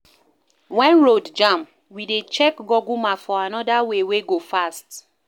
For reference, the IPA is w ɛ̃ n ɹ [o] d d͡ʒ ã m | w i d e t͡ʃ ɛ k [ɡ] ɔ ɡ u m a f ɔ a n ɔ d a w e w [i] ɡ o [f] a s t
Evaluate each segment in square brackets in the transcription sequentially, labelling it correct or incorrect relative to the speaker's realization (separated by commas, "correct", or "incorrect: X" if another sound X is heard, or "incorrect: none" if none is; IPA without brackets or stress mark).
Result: correct, correct, incorrect: e, correct